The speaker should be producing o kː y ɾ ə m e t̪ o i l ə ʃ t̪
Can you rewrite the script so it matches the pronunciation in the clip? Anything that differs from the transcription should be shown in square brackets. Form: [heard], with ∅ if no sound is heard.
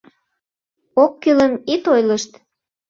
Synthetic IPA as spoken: o kː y [l] ə m [i] t̪ o [j] l ə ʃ t̪

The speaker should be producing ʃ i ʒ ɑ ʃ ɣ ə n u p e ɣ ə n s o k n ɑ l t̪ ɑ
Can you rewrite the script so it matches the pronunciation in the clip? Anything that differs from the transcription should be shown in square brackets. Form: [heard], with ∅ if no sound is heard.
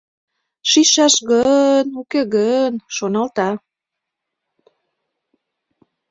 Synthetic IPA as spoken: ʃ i [ʃ] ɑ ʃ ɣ ə n u [k] e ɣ ə n [ʃ] o [∅] n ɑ l t̪ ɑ

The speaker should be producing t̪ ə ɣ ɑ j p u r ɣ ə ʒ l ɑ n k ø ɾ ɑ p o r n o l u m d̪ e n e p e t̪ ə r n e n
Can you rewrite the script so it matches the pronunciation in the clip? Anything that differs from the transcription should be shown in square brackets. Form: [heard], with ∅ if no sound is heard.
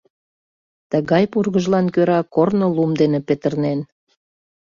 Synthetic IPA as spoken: t̪ ə ɣ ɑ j p u r ɣ ə ʒ l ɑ n k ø ɾ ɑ [k] o r n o l u m d̪ e n e p e t̪ ə r n e n

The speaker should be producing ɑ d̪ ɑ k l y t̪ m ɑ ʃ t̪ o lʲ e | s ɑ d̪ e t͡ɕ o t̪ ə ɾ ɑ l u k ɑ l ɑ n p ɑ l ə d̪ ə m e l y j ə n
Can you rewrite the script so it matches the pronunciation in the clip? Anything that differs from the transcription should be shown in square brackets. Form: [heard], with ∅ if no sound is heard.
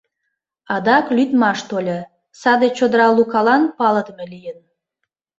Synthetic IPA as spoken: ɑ d̪ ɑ k l y t̪ m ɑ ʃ t̪ o lʲ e | s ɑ d̪ e t͡ɕ o [d̪] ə ɾ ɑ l u k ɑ l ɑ n p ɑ l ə d̪ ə m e l [i] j ə n

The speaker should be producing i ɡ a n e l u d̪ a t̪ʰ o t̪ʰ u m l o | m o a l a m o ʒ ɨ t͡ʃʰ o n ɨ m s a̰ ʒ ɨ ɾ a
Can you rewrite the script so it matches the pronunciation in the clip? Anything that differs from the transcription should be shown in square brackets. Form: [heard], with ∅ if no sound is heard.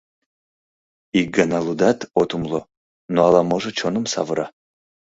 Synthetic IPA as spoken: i ɡ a n [a] l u d̪ a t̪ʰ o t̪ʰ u m l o | [n] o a l a m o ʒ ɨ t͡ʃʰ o n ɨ m s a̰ [v] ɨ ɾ a

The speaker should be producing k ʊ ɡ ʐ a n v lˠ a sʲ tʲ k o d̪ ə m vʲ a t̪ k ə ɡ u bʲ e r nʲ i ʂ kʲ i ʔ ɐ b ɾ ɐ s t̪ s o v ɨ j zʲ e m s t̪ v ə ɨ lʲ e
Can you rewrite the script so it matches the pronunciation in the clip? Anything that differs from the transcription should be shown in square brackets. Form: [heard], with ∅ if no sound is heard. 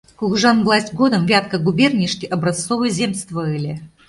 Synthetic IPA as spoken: k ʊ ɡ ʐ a n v lˠ a sʲ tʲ [ɡ] o d̪ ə m vʲ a t̪ k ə ɡ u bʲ e r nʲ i ʂ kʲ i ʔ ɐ b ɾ ɐ s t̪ s o v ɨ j zʲ e m s t̪ v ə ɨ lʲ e

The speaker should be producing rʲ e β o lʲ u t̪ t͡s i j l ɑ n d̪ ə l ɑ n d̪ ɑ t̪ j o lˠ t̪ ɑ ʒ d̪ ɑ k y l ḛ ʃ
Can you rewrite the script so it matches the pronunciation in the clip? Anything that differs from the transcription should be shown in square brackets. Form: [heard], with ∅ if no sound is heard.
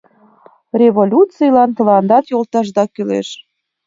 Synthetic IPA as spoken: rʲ e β o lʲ u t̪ t͡s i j l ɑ n [t̪] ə l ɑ n d̪ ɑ t̪ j o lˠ t̪ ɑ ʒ d̪ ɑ k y l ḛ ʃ

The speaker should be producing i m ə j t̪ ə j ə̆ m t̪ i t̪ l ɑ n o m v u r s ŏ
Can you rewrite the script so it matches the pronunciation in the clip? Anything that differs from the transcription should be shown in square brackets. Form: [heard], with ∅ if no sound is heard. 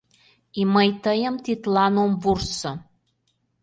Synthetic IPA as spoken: i m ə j t̪ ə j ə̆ m t̪ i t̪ l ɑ n o m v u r s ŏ

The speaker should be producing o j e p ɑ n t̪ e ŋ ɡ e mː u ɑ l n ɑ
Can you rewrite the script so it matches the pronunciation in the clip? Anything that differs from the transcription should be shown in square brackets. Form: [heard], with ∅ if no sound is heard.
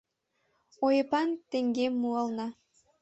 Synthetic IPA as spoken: o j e p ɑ n t̪ e ŋ ɡ e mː u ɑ l n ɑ

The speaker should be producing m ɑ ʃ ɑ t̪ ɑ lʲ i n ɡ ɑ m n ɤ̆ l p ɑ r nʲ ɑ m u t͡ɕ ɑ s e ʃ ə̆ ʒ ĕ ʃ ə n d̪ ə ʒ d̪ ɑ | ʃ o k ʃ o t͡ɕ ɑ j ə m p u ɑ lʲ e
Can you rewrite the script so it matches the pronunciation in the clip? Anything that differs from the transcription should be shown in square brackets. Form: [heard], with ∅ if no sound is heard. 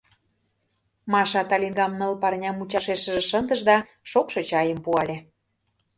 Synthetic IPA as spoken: m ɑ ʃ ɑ t̪ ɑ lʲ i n ɡ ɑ m n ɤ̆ l p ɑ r nʲ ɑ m u t͡ɕ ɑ [ʃ] e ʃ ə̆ ʒ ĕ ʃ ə n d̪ ə ʒ d̪ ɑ | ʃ o k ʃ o t͡ɕ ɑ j ə m p u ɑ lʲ e

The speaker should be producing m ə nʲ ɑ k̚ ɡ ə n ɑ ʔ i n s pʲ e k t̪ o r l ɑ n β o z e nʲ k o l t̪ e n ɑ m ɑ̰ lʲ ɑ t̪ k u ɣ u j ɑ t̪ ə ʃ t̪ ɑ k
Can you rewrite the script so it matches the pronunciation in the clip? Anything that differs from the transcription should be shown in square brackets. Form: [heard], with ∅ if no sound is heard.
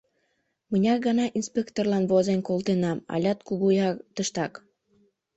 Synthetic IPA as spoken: m ə nʲ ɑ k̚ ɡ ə n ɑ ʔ i n s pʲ e k t̪ o r l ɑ n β o z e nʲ k o l t̪ e n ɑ m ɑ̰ lʲ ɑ t̪ k u ɣ u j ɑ t̪ ə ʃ t̪ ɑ k

